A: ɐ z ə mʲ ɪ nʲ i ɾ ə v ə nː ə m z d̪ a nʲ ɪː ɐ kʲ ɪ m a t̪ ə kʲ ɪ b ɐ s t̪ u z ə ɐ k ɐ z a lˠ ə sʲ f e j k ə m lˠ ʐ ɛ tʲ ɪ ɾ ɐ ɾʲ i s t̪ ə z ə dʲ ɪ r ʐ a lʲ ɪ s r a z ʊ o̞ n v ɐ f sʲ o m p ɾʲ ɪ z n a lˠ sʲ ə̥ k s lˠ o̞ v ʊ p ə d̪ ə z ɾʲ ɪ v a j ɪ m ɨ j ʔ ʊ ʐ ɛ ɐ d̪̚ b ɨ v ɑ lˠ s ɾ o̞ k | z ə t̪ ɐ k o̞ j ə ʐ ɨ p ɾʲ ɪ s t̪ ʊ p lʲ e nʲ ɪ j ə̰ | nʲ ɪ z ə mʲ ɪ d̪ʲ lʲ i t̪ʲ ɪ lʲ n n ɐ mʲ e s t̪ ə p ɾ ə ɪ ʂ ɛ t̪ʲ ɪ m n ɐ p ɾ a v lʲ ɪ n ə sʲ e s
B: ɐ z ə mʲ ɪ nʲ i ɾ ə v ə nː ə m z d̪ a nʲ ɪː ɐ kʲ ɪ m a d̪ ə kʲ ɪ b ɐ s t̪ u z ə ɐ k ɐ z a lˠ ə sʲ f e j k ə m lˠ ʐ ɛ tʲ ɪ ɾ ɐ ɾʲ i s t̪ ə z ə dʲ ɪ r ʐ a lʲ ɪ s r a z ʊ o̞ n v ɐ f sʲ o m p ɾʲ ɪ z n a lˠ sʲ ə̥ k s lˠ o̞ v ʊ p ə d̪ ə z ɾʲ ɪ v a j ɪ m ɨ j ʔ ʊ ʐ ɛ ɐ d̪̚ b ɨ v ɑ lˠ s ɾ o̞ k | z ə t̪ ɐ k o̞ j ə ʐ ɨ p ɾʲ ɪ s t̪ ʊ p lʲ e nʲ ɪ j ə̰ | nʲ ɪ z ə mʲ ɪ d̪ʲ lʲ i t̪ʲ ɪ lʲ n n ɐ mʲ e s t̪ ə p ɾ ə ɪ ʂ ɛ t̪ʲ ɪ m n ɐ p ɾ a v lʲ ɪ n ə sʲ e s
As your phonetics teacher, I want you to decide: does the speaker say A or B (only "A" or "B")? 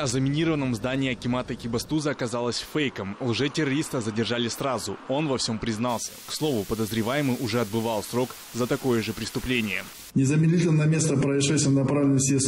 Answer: A